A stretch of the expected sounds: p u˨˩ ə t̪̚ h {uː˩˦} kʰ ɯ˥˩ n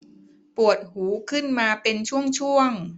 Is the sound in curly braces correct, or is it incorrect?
correct